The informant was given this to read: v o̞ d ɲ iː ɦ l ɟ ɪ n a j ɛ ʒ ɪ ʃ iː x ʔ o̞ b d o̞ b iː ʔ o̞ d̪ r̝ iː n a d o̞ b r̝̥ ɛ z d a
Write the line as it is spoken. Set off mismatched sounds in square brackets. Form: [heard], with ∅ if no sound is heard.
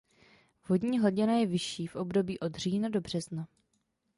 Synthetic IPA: v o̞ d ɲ iː ɦ l ɟ ɪ n a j ɛ [v] ɪ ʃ iː [f] ʔ o̞ b d o̞ b iː ʔ o̞ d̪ r̝ iː n a d o̞ b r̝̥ ɛ z [n] a